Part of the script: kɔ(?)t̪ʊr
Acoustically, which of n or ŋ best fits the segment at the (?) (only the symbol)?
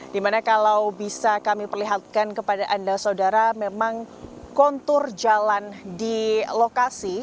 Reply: n